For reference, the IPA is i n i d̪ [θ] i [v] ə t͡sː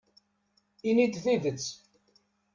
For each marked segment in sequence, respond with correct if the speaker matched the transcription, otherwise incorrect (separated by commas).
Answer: correct, correct